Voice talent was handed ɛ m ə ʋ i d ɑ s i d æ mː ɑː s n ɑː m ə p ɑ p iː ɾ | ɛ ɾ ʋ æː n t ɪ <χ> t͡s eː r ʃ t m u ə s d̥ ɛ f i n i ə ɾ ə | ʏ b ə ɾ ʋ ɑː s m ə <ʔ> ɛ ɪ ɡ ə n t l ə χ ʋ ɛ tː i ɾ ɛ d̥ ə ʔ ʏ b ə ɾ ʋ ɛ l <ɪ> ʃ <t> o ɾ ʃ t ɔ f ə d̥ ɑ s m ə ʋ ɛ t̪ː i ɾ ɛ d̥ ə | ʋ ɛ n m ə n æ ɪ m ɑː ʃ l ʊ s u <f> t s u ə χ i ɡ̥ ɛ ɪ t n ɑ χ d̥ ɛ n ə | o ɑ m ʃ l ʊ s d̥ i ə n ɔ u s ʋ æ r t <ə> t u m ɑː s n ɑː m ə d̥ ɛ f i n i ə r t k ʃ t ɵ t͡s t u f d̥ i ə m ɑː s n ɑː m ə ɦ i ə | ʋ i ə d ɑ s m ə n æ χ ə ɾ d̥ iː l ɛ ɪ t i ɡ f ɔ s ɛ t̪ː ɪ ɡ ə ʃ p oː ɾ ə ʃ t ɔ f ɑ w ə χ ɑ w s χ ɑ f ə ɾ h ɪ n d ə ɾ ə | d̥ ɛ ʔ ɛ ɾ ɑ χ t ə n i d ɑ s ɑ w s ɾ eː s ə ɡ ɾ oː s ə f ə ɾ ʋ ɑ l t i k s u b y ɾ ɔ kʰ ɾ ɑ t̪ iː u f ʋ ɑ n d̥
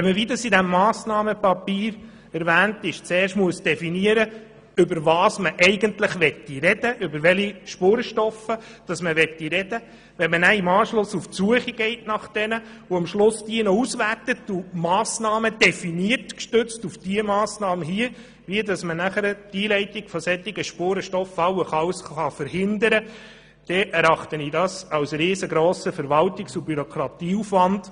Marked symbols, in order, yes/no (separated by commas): no, yes, no, no, yes, yes